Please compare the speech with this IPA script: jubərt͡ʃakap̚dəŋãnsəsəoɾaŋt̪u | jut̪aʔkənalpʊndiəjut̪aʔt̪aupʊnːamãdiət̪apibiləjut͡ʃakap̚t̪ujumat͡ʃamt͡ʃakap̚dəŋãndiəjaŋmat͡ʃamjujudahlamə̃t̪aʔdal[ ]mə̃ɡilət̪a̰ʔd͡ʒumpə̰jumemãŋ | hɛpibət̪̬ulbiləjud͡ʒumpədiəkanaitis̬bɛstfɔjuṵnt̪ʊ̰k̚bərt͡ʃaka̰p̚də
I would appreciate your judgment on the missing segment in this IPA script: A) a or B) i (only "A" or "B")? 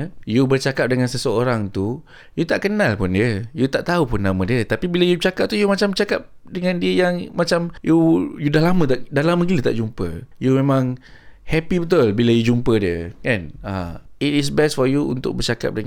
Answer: A